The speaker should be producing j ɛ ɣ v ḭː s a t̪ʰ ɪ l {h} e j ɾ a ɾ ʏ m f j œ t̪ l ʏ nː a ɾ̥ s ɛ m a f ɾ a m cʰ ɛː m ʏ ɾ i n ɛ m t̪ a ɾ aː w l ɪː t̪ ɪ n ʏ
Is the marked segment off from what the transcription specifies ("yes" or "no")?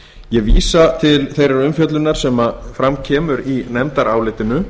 yes